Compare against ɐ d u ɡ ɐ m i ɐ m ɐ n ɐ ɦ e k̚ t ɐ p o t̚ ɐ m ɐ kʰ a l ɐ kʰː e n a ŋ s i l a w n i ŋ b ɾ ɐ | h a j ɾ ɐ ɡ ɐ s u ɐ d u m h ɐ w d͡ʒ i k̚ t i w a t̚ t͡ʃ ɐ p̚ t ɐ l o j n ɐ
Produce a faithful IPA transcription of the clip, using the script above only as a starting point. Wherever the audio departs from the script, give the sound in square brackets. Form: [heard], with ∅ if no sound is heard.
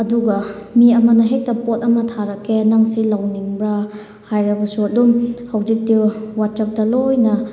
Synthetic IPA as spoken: ɐ d u ɡ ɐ m i ɐ m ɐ n ɐ ɦ e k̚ t ɐ p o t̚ ɐ m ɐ [tʰ] a [ɾ] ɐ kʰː e n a ŋ s i l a w n i ŋ b ɾ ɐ | h a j ɾ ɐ [b] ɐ s u ɐ d u m h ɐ w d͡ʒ i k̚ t i w a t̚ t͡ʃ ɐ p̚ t ɐ l o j n ɐ